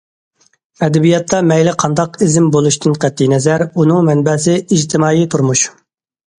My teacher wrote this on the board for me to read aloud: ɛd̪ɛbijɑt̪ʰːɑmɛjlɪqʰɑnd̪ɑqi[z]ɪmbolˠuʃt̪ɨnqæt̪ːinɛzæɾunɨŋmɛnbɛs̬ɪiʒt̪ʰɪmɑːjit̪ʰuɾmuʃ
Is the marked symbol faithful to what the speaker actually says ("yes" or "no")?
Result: yes